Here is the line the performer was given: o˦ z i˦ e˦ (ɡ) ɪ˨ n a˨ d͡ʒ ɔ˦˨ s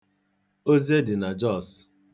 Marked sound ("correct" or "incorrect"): incorrect